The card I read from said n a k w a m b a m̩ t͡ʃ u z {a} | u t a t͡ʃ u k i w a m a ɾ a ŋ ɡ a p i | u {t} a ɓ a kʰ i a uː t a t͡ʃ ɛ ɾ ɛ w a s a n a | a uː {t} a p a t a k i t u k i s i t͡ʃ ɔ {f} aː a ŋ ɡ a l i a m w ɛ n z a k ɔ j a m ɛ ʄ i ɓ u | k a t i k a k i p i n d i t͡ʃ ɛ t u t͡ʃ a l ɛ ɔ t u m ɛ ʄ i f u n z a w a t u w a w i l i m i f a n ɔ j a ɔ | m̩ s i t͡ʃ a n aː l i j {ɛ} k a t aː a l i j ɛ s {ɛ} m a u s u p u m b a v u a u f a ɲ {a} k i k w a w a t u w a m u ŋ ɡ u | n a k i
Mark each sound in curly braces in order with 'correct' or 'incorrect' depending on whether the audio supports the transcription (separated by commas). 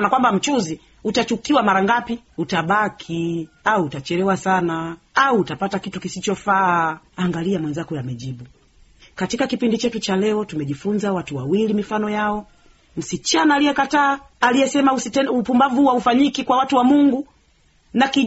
incorrect, correct, correct, correct, correct, correct, incorrect